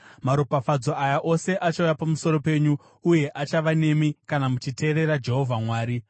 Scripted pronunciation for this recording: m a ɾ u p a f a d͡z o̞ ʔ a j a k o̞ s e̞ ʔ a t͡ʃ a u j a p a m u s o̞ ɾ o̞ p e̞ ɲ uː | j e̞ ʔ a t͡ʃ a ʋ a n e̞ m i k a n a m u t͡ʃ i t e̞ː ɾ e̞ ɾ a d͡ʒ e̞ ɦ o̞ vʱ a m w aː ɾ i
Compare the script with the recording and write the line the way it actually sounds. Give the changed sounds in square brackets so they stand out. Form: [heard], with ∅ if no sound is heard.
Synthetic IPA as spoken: m a ɾ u p a f a d͡z o̞ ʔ a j a [ʔ] o̞ s e̞ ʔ a t͡ʃ a u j a p a m u s o̞ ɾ o̞ p e̞ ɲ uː | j e̞ ʔ a t͡ʃ a ʋ a n e̞ m i k a n a m u t͡ʃ i t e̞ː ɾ e̞ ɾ a d͡ʒ e̞ ɦ o̞ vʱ a m w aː ɾ i